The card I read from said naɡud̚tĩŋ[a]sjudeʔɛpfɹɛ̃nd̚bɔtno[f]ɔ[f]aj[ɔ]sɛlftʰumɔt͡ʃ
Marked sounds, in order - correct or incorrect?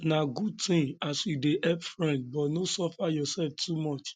correct, incorrect, correct, correct

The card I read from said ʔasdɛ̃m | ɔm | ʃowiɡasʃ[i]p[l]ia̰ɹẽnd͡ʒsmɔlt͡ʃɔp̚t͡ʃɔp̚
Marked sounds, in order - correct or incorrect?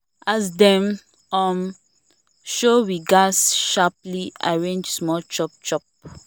incorrect, correct

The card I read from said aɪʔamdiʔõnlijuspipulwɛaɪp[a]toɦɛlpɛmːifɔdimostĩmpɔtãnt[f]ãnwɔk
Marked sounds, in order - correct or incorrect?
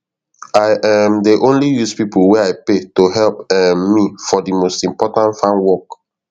incorrect, correct

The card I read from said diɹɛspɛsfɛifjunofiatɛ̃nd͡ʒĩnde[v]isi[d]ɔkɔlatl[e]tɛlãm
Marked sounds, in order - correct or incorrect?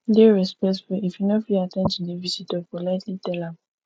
correct, incorrect, incorrect

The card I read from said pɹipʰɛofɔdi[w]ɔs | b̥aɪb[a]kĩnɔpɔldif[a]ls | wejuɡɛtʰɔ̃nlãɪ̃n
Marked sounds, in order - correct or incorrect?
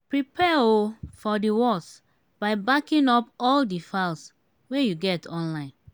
correct, correct, correct

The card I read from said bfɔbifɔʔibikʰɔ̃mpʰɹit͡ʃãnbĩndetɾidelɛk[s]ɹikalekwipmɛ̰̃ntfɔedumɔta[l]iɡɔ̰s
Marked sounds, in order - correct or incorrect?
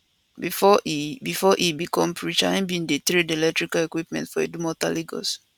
incorrect, correct

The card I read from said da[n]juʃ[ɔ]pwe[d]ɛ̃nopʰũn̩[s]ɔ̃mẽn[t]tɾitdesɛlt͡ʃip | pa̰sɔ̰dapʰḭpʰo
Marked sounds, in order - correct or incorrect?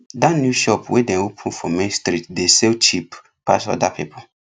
correct, correct, correct, incorrect, incorrect

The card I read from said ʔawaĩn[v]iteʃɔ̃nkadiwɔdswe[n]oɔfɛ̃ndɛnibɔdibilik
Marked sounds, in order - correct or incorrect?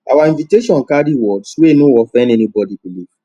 correct, correct

